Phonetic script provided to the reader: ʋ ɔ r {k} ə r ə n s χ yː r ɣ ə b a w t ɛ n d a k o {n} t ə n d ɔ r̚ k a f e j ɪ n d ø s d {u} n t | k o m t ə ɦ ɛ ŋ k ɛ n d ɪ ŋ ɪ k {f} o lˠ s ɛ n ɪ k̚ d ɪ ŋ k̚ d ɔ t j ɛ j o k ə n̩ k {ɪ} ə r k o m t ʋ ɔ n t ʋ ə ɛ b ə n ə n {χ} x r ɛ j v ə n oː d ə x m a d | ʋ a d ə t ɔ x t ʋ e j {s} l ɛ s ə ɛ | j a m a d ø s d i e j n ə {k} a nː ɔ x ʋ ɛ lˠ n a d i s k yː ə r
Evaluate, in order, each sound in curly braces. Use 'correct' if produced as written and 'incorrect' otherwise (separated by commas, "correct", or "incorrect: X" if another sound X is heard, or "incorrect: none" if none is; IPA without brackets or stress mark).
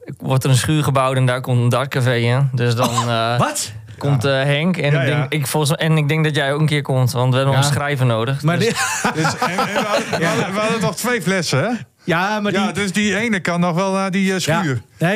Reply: incorrect: t, incorrect: m, incorrect: ɔ, correct, correct, incorrect: s, incorrect: f, correct